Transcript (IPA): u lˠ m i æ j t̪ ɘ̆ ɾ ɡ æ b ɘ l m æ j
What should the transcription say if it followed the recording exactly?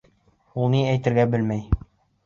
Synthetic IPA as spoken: u lˠ n i æ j t̪ ɘ̆ ɾ ɡ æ b ɘ l m æ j